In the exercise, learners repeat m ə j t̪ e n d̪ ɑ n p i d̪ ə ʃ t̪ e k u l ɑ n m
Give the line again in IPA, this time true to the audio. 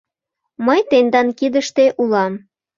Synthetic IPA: m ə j t̪ e n d̪ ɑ n k i d̪ ə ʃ t̪ e ʔ u l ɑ m